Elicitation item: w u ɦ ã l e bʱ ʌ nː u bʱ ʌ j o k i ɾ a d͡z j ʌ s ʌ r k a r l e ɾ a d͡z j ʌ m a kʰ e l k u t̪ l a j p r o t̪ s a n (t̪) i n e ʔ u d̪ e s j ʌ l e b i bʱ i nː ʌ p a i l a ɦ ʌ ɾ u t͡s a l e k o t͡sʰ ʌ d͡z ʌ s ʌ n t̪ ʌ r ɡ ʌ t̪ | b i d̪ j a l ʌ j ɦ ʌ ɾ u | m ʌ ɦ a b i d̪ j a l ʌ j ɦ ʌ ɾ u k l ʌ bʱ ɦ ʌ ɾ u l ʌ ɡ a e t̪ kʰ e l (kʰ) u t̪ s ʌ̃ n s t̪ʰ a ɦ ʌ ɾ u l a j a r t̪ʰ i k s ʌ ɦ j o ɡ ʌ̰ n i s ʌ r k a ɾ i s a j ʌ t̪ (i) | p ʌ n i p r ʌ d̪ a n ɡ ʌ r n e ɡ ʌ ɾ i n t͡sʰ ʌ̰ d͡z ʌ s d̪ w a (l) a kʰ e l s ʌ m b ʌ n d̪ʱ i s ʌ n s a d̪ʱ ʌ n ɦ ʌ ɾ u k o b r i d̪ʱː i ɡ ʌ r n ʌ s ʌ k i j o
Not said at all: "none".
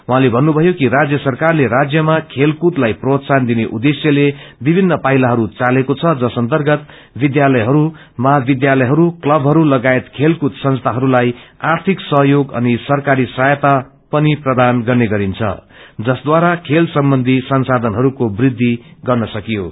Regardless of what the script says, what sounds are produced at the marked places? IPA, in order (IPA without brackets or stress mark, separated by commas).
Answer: d̪, k, a, ɾ